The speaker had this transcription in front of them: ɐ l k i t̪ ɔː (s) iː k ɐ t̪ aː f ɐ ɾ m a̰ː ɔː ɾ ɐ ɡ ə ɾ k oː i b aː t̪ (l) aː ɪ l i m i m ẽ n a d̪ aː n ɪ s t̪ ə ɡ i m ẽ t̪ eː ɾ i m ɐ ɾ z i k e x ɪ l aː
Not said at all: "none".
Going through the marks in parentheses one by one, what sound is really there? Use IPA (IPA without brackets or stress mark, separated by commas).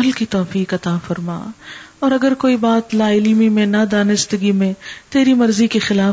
f, l